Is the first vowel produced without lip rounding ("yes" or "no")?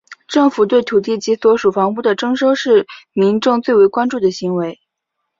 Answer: yes